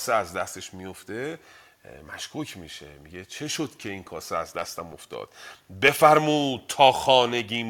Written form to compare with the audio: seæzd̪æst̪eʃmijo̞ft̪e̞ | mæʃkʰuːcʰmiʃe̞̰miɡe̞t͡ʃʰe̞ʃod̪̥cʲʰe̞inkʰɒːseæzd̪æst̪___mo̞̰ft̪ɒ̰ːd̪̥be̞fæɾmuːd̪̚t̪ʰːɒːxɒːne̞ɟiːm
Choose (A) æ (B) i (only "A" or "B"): A